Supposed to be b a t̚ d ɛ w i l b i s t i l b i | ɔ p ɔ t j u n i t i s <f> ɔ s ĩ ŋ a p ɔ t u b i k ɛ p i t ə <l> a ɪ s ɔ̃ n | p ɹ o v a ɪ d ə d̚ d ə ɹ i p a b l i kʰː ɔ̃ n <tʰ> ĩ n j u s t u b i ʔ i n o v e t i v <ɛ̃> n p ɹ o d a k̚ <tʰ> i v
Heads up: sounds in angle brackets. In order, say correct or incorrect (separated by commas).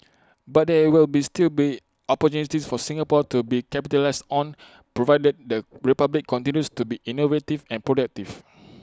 correct, correct, incorrect, correct, incorrect